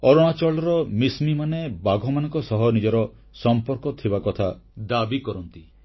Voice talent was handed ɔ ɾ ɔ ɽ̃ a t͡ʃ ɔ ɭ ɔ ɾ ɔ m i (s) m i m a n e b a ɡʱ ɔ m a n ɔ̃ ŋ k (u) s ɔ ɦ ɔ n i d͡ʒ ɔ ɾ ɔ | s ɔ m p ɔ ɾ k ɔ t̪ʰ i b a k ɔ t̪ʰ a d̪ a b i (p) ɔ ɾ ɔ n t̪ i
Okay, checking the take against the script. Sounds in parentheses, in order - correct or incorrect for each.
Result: correct, incorrect: ɔ, incorrect: k

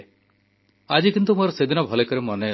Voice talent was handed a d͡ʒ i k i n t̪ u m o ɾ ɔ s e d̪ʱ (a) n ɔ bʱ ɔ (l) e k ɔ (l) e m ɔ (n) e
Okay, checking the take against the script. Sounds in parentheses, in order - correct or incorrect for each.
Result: incorrect: i, correct, incorrect: ɾ, correct

